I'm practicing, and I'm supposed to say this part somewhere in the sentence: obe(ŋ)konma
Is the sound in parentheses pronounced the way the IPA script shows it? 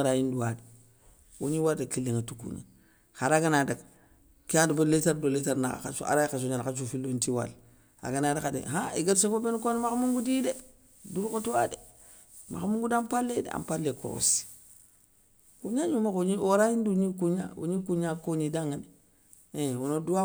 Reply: no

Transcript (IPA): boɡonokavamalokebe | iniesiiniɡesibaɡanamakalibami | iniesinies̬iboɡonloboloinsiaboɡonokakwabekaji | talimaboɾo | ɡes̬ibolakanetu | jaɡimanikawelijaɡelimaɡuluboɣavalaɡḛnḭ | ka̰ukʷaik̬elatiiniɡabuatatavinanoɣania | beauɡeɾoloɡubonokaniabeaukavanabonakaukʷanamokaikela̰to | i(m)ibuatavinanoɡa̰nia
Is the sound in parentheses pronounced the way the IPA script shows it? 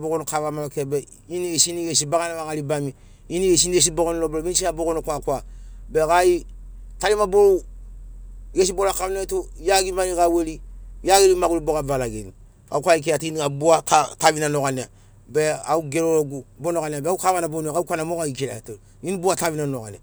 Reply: no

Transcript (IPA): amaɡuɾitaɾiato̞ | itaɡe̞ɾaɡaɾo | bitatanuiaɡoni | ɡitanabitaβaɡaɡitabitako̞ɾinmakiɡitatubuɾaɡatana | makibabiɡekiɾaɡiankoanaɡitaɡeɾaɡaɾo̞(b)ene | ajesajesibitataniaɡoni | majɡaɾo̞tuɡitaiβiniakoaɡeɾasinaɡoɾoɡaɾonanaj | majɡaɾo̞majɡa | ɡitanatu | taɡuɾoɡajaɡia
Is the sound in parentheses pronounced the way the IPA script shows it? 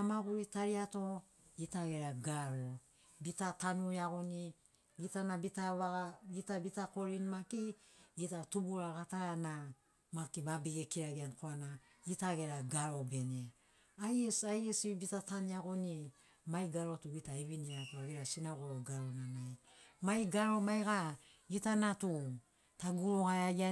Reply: yes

